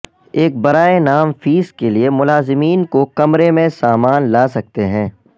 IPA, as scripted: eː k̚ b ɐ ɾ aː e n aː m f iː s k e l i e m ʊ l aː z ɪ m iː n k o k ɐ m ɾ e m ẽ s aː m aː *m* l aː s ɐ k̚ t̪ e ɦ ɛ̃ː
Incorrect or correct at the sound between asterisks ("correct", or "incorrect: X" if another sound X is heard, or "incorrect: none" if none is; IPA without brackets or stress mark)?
incorrect: n